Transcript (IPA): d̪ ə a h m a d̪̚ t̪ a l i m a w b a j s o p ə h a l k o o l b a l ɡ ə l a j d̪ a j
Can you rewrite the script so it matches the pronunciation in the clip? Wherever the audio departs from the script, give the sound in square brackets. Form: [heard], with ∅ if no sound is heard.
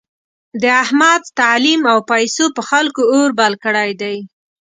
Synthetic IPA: d̪ ə a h m a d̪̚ t̪ a l i m a w [p] a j s o p ə [x] a l k o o [ɾ] b a l [k] ə [ɽ] a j d̪ a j